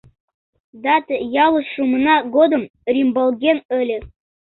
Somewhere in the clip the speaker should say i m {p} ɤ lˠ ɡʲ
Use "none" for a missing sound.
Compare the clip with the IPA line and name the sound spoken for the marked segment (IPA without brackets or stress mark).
b